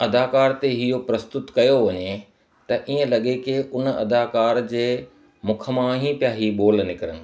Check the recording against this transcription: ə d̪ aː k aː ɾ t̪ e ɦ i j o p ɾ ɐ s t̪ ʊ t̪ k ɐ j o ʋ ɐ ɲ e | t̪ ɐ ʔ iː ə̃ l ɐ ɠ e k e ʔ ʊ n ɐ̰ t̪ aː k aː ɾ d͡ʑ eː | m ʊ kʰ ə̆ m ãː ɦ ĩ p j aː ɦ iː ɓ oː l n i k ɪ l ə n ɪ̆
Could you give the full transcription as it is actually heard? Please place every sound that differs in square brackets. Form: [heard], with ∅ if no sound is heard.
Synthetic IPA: [ɐ] d̪ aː k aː ɾ t̪ e ɦ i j o p ɾ ɐ s t̪ ʊ t̪ k ɐ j o ʋ ɐ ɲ e | t̪ ɐ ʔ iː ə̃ l ɐ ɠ e k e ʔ ʊ n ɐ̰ [d̪] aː k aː ɾ d͡ʑ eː | m ʊ kʰ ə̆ m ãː ɦ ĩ p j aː ɦ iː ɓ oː l n [ɪ] k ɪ [ɾ] ə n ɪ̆